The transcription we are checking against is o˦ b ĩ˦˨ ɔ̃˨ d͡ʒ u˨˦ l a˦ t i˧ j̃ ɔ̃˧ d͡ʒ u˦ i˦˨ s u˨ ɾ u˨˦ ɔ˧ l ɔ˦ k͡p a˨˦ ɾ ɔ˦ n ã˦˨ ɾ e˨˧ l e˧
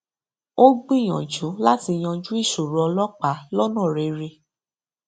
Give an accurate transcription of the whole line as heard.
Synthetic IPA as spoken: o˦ ɡ͡b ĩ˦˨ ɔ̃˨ d͡ʒ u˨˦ l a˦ t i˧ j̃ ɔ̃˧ d͡ʒ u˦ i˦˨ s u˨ ɾ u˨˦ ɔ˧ l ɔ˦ k͡p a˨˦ l ɔ˦ n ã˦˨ ɾ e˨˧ ɾ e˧